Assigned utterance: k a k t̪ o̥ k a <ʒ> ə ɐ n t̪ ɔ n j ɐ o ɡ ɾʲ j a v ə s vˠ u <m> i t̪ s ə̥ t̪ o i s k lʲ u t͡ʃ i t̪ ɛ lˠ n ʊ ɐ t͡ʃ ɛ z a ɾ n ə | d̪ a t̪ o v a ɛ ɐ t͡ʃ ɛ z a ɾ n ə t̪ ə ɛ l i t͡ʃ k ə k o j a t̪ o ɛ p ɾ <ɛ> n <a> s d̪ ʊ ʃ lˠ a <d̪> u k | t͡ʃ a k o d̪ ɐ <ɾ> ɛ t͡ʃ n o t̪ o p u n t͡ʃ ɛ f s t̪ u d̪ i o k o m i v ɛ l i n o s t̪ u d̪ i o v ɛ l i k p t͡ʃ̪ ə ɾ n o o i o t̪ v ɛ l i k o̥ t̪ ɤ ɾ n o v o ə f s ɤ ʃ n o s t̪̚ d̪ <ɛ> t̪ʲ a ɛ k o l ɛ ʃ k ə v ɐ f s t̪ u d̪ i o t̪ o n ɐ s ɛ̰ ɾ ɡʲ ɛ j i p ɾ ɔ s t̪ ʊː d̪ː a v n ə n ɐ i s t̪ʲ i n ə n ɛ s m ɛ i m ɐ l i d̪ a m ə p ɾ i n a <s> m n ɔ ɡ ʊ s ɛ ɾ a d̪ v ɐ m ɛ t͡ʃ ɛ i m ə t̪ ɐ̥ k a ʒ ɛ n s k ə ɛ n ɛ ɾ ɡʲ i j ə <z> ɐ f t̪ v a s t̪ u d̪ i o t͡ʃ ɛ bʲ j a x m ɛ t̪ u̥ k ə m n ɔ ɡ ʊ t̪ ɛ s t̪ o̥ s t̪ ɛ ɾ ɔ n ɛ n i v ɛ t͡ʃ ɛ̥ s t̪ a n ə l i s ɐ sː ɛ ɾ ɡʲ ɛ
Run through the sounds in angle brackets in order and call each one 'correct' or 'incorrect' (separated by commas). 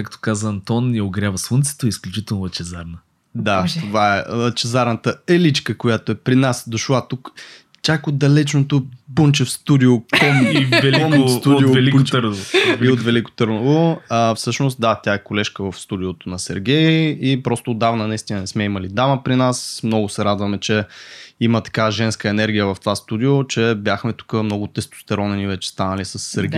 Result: incorrect, incorrect, incorrect, correct, incorrect, incorrect, incorrect, correct, incorrect